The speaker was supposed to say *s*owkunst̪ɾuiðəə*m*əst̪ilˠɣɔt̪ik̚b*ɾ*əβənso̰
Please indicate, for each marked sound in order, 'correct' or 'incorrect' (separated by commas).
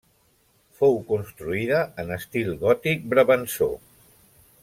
incorrect, incorrect, correct